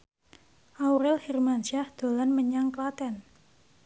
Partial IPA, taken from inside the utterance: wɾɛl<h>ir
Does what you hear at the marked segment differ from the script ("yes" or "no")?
no